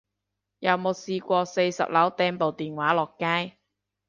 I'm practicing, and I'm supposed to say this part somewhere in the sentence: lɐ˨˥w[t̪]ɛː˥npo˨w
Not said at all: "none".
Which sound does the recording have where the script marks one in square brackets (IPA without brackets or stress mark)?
t̪